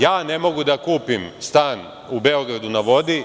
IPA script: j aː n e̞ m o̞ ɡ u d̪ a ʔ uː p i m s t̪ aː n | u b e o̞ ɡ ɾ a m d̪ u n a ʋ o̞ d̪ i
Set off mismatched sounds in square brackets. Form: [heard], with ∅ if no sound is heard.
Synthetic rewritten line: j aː n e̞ m o̞ ɡ u d̪ a [k] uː p i m s t̪ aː n | u b e o̞ ɡ ɾ a [∅] d̪ u n a ʋ o̞ d̪ i